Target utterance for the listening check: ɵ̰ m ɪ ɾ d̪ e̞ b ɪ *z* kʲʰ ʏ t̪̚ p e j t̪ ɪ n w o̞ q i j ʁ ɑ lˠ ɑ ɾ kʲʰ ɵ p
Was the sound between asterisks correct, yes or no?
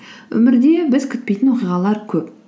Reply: yes